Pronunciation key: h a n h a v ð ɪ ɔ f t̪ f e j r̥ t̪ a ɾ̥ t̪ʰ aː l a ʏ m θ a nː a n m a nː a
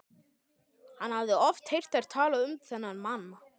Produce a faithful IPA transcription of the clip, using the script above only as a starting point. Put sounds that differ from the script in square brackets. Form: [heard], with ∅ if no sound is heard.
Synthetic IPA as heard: h a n h a v ð ɪ ɔ f t̪ [h] e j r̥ t̪ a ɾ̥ t̪ʰ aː l a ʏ m θ [ɛ] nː a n m a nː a